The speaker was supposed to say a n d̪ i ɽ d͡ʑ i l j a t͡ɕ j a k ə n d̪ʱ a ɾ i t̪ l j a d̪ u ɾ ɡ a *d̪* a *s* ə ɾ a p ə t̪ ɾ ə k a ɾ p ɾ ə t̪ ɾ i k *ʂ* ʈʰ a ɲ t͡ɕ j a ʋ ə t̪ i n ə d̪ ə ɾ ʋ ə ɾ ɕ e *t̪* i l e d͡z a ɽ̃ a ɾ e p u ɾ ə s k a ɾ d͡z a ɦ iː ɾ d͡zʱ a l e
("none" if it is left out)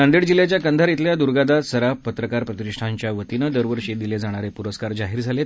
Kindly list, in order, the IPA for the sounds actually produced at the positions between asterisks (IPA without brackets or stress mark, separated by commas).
d̪, s, ʂ, d̪